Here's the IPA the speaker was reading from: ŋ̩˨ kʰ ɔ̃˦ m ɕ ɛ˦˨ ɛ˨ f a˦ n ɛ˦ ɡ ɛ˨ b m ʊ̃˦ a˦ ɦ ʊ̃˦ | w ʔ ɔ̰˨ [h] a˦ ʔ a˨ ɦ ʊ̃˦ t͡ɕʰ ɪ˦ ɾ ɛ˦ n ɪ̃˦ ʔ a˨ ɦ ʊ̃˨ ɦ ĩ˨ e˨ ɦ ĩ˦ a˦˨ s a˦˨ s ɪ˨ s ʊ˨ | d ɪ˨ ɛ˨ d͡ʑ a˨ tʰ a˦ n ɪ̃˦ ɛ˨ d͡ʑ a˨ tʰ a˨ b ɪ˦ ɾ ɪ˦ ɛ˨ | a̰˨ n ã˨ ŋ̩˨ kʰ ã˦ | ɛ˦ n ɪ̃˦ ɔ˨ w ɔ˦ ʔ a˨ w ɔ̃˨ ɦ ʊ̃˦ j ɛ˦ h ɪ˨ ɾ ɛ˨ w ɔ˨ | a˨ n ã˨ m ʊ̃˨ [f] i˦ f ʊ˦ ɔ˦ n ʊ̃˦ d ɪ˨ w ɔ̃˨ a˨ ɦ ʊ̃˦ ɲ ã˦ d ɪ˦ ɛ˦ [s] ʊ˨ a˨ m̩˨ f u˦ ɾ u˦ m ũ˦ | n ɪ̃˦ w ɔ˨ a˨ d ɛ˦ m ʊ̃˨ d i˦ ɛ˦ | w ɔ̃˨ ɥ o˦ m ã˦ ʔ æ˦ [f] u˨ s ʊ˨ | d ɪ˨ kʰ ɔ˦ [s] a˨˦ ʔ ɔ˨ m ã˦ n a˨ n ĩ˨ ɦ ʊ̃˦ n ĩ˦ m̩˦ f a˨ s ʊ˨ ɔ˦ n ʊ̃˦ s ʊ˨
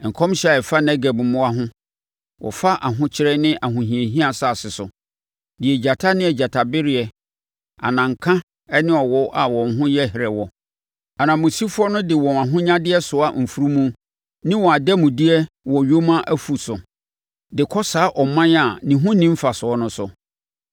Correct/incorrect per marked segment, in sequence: incorrect, incorrect, correct, correct, correct

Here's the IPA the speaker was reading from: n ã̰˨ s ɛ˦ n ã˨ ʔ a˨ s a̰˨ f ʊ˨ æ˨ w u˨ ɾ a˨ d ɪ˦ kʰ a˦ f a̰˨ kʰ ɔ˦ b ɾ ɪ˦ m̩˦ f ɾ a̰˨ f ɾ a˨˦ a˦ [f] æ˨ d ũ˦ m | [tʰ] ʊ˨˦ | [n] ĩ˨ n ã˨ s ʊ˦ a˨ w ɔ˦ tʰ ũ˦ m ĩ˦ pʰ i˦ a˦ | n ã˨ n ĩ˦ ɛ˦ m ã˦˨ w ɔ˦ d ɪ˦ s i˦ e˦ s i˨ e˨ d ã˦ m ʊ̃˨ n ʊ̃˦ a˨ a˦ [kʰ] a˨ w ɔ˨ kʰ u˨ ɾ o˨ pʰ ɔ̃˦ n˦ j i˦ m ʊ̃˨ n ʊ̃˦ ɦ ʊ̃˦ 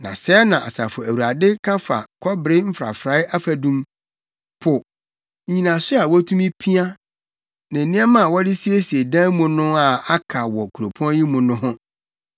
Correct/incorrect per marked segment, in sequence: correct, incorrect, incorrect, correct

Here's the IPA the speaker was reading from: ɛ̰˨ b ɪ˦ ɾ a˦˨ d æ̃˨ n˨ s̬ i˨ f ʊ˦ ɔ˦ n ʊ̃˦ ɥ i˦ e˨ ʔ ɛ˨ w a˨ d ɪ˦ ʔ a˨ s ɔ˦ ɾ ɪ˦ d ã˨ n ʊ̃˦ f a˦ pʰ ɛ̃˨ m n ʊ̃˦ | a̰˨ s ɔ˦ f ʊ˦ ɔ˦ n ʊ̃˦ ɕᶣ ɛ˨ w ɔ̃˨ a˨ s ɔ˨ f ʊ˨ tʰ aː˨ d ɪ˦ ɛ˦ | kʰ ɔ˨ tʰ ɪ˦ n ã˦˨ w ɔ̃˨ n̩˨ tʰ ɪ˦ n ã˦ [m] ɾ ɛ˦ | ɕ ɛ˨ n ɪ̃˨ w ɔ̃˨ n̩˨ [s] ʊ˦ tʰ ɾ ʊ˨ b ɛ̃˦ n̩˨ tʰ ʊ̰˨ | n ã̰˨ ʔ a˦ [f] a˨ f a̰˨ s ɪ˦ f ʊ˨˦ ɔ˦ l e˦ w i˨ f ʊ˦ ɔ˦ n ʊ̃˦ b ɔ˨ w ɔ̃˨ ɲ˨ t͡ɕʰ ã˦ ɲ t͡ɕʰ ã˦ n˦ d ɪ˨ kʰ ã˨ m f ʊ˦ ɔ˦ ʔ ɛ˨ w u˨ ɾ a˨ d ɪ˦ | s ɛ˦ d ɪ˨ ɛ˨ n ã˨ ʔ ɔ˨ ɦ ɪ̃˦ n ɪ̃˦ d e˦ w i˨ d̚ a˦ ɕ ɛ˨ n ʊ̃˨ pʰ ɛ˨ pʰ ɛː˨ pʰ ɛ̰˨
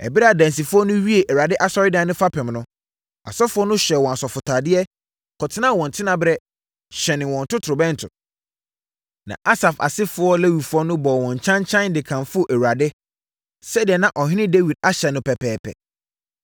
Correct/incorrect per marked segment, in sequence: incorrect, incorrect, incorrect

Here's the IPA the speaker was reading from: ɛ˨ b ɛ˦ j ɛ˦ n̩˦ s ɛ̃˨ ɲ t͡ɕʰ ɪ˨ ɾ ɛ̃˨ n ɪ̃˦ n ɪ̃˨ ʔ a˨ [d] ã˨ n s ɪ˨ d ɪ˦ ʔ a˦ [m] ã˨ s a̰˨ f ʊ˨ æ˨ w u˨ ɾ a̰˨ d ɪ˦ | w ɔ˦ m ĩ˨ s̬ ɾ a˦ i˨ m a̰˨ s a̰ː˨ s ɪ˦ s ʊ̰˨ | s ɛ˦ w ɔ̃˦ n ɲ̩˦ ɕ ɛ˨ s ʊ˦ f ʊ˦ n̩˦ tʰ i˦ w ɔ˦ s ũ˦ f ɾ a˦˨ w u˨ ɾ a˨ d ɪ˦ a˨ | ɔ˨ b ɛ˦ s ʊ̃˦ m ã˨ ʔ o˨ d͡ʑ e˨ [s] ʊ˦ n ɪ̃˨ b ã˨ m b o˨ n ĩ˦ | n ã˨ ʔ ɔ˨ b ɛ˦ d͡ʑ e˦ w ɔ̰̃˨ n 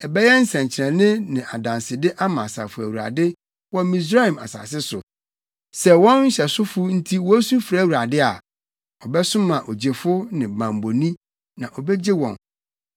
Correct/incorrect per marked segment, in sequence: correct, correct, incorrect

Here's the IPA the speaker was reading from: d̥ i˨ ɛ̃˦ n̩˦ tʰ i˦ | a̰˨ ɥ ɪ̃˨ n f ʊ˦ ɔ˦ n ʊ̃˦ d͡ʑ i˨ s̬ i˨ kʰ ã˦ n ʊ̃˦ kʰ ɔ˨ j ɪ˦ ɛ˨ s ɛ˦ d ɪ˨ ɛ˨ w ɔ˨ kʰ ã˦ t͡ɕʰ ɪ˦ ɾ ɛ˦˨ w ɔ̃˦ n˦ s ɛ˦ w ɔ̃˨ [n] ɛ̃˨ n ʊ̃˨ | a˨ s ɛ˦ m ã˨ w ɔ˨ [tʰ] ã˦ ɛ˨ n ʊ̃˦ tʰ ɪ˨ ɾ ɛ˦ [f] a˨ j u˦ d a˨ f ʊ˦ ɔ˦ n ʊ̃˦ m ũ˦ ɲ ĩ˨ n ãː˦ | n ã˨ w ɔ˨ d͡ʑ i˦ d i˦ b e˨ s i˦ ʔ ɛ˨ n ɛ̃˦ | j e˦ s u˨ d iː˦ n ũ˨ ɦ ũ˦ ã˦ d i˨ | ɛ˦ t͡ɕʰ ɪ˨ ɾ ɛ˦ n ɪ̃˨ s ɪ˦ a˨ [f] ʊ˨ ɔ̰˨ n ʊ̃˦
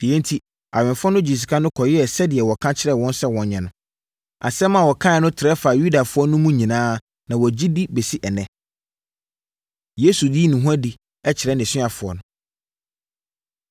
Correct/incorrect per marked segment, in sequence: incorrect, incorrect, correct, correct

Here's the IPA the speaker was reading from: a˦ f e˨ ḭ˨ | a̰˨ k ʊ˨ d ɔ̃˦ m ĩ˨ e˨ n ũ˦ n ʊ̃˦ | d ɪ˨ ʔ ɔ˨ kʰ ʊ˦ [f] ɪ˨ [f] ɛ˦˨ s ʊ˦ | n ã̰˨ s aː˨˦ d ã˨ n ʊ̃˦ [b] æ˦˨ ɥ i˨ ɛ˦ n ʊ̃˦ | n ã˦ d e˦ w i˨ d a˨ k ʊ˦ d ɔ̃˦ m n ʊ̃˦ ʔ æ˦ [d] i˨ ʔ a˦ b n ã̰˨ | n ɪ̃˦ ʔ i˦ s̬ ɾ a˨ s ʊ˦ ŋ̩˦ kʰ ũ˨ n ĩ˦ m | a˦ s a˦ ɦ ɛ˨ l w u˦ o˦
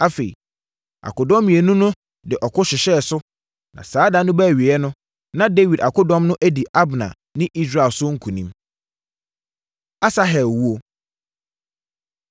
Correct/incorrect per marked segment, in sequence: incorrect, incorrect, correct, correct

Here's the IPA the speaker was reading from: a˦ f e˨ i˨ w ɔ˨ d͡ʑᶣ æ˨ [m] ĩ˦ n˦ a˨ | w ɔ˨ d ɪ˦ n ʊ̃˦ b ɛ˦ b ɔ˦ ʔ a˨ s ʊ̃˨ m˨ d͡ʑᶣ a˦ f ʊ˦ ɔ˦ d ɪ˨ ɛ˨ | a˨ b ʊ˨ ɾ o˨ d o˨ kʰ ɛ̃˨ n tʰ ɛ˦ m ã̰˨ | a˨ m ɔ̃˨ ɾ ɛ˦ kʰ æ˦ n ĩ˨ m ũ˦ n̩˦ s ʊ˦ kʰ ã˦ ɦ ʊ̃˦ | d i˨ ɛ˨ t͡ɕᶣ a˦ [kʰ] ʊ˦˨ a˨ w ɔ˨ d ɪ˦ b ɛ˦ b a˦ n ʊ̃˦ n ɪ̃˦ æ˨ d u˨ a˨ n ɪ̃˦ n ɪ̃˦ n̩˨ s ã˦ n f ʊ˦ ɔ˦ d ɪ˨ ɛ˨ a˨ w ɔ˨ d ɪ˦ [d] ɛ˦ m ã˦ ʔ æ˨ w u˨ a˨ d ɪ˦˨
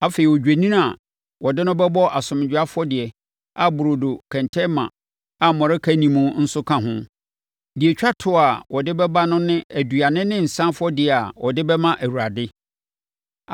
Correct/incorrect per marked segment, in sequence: incorrect, incorrect, incorrect

